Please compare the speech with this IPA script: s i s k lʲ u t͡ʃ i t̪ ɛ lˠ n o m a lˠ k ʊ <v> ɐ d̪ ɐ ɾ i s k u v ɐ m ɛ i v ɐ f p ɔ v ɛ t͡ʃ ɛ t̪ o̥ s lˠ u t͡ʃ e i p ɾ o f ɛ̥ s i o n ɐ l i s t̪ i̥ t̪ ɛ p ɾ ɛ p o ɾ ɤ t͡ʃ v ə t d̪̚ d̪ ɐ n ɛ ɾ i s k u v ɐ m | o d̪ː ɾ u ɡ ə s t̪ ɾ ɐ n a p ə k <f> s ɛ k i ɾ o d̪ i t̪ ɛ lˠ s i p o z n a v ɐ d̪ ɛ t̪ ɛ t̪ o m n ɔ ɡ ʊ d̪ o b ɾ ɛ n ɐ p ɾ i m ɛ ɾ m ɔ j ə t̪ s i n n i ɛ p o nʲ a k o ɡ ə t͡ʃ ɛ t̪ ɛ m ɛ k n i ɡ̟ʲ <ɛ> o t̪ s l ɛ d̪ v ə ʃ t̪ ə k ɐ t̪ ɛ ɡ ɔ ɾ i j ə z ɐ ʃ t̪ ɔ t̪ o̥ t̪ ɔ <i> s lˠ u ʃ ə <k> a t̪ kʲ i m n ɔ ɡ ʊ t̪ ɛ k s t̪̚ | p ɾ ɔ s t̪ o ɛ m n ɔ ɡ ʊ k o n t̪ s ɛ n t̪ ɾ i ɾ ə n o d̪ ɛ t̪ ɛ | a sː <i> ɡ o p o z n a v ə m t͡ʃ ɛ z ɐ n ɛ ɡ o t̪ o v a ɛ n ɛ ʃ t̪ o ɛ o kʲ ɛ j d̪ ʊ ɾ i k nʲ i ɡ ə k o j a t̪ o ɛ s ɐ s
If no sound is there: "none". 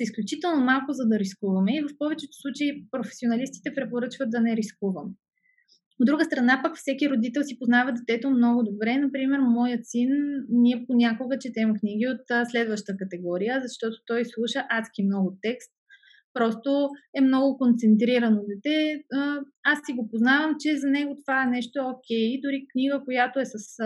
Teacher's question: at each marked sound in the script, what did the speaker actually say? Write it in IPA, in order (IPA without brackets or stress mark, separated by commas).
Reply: z, f, i, j, ʔ, i